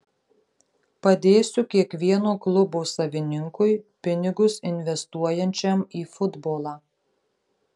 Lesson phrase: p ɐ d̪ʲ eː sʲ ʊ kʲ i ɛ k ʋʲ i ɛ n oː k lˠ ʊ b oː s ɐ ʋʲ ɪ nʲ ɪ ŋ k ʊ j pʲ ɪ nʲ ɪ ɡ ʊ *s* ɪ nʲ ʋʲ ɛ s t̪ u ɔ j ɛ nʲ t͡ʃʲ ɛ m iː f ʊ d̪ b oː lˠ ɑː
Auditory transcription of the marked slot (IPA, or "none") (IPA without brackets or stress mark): s